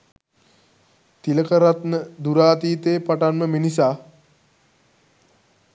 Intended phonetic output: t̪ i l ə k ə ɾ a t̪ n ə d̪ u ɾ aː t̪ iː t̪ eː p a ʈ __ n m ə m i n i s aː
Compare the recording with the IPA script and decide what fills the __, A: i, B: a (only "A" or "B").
B